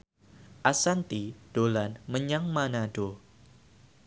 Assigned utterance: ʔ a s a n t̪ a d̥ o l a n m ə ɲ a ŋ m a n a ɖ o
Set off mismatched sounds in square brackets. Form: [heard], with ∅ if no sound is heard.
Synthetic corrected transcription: ʔ a s a n t̪ [i] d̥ o l a n m ə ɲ a ŋ m a n a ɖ o